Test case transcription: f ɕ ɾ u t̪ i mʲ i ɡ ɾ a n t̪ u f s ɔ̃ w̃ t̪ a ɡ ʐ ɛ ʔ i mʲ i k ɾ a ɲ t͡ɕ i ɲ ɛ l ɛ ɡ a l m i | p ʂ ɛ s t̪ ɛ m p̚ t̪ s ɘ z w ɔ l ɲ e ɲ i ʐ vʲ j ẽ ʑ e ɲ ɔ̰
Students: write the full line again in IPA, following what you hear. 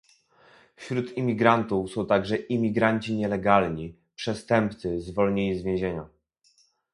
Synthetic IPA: f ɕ ɾ u t̪ i mʲ i ɡ ɾ a n t̪ u f s ɔ̃ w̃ t̪ a ɡ ʐ ɛ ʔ i mʲ i ɡ ɾ a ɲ t͡ɕ i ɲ ɛ l ɛ ɡ a l ɲ i | p ʂ ɛ s t̪ ɛ m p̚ t̪ s ɘ z v ɔ l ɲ e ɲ i z vʲ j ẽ ʑ e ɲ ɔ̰